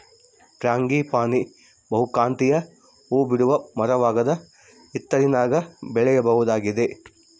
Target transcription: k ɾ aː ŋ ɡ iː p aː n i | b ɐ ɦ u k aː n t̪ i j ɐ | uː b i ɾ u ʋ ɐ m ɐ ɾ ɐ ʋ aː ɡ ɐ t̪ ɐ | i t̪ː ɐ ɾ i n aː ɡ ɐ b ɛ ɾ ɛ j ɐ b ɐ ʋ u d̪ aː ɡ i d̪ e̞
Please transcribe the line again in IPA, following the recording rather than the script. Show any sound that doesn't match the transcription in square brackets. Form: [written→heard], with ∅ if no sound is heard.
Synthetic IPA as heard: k ɾ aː ŋ ɡ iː p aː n i | b ɐ ɦ u k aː n t̪ i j ɐ | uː b i [ɾ→ɽ] u ʋ ɐ m ɐ ɾ ɐ ʋ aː ɡ ɐ [t̪→d̪] ɐ | i t̪ː ɐ ɾ i n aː ɡ ɐ b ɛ [ɾ→ɭ] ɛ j ɐ b ɐ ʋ u d̪ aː ɡ i d̪ e̞